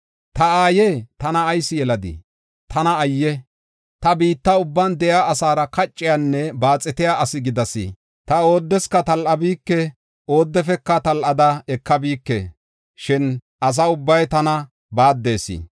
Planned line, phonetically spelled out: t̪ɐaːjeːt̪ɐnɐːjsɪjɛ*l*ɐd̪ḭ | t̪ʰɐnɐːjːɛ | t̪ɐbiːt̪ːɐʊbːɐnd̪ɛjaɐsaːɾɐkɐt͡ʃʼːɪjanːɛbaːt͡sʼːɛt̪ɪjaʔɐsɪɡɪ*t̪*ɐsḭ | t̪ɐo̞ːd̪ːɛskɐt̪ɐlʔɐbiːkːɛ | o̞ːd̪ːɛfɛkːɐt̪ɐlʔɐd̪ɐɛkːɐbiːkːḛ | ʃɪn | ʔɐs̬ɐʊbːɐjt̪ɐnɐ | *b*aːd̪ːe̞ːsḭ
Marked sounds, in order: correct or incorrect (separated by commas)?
correct, incorrect, correct